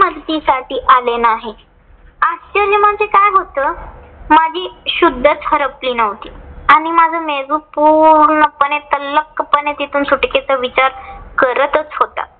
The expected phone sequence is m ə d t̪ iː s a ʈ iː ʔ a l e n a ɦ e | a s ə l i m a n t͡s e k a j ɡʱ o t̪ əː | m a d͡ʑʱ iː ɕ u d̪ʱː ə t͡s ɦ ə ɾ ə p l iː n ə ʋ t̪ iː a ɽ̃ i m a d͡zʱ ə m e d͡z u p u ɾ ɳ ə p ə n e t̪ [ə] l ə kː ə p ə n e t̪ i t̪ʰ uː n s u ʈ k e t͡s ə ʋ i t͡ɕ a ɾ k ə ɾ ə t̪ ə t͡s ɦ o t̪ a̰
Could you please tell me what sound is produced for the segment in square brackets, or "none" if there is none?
ə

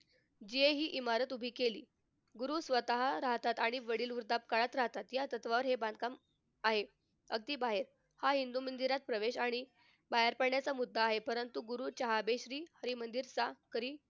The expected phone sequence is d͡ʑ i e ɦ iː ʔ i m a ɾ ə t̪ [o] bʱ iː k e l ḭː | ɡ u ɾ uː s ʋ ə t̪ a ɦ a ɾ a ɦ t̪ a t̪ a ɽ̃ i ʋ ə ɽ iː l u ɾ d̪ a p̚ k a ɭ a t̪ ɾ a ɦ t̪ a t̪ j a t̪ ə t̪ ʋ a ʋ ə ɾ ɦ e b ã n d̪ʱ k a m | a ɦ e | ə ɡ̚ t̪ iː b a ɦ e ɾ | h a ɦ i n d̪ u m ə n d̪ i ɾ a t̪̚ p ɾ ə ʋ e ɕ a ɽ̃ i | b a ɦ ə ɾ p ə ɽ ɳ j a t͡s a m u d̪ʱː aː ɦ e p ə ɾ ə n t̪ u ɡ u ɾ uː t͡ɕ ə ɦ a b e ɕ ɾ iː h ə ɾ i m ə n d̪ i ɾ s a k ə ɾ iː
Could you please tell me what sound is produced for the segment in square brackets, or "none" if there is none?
u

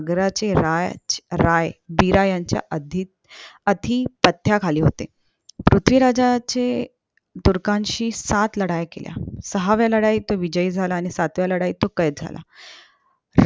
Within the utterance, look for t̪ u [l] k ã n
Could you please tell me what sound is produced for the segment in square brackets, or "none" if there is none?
ɾ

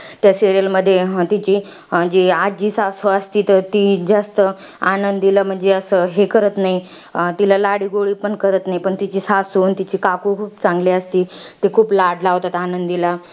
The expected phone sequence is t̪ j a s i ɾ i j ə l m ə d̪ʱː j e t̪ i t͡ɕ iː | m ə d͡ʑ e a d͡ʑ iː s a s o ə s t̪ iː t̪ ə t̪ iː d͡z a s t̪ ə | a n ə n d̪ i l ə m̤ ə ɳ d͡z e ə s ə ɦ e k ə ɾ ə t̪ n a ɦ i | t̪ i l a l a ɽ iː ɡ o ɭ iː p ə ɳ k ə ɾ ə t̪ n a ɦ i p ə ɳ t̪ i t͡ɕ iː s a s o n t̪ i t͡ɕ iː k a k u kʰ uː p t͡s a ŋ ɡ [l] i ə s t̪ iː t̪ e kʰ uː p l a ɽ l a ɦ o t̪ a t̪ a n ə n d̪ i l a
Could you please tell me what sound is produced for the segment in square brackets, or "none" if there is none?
l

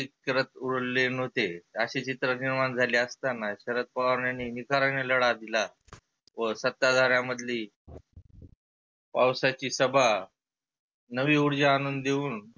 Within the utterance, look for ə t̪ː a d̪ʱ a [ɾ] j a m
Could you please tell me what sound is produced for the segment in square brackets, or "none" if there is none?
ɾ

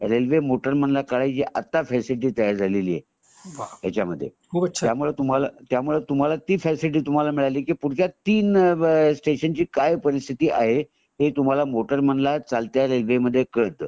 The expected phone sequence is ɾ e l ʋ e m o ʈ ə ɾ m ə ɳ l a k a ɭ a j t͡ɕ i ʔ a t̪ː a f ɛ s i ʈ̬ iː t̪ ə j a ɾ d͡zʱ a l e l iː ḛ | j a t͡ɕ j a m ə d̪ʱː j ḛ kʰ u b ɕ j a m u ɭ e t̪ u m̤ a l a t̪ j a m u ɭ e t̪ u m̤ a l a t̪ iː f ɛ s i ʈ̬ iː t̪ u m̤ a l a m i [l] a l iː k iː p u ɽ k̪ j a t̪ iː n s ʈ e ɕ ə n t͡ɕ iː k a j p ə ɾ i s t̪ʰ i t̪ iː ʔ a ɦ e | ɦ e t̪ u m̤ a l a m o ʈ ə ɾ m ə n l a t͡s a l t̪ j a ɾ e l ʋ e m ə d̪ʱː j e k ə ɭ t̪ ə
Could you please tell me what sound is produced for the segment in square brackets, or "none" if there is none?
ɭ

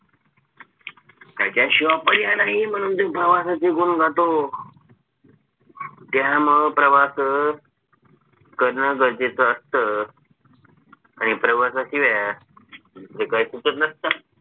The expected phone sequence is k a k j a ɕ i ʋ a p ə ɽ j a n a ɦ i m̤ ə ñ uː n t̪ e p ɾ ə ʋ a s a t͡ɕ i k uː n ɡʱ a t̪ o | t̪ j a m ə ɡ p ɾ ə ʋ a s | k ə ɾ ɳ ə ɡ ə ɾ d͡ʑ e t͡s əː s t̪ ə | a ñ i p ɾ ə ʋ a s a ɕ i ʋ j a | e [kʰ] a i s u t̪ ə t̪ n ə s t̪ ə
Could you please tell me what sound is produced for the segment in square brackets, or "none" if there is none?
k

